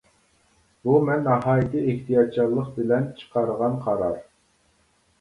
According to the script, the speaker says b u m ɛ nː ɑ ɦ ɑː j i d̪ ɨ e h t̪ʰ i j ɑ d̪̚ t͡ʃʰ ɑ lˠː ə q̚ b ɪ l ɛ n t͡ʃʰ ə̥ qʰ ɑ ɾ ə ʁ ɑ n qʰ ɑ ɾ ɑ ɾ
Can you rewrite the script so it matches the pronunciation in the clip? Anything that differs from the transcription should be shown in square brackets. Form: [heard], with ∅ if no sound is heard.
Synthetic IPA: b u m ɛ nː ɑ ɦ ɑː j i [t̪] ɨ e h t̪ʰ i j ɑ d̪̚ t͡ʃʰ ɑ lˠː ə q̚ b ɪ l ɛ n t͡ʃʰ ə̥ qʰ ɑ ɾ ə ʁ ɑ n qʰ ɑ ɾ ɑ ɾ